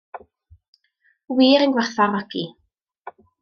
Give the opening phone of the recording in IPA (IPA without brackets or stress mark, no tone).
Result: w